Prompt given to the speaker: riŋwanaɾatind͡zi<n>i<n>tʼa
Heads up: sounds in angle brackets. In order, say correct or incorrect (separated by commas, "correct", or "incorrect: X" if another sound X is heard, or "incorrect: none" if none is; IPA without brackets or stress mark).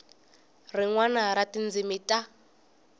incorrect: m, incorrect: none